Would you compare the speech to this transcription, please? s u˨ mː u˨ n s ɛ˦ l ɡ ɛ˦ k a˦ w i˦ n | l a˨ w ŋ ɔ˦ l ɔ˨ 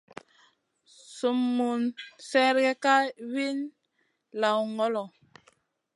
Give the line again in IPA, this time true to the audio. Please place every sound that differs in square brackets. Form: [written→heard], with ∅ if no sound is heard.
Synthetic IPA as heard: s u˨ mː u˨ n s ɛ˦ [l→ɾ] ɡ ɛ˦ k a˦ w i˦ n | l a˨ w ŋ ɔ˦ l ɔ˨